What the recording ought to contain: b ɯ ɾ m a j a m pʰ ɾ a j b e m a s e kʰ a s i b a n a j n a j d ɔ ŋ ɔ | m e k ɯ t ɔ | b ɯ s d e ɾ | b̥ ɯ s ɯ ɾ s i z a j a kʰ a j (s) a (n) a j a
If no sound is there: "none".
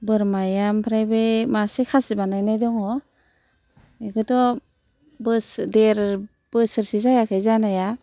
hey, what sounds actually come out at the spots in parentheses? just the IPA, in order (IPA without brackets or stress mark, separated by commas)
z, n